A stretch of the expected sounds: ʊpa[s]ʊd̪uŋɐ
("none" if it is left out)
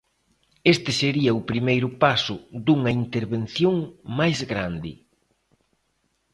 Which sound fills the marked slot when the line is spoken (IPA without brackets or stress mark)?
s